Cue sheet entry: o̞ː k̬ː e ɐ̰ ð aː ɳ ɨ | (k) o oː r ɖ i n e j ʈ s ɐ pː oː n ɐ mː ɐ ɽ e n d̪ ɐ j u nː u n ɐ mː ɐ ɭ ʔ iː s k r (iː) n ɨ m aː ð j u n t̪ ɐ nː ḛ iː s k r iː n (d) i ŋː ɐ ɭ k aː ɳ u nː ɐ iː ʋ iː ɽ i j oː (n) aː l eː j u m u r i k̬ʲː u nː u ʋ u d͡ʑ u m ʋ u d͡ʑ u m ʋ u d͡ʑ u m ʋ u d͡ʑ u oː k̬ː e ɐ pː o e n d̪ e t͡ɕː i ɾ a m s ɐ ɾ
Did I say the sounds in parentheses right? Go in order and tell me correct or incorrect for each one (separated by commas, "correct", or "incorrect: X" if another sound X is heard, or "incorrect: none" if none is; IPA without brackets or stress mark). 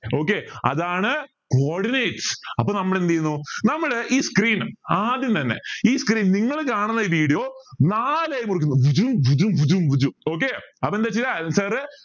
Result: correct, correct, incorrect: n, correct